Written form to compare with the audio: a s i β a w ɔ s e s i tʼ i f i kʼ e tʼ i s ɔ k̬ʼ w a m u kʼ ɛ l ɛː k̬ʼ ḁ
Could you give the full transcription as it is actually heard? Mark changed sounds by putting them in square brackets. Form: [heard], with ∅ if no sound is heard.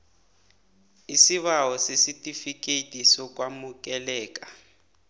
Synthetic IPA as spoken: [i] s i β a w ɔ s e s i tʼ i f i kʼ e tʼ i s ɔ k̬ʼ w a m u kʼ ɛ l ɛː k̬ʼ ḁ